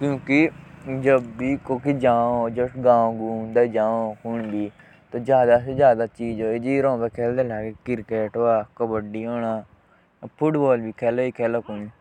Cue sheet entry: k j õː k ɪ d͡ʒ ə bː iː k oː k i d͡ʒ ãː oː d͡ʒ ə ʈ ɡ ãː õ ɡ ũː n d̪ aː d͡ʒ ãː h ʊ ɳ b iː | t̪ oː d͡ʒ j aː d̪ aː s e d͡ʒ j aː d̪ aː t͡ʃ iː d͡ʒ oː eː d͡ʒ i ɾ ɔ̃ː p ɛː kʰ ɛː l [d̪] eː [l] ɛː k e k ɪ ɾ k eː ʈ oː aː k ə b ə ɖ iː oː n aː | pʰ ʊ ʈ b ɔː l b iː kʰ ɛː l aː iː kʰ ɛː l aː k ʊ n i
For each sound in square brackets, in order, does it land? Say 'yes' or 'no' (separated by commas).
yes, yes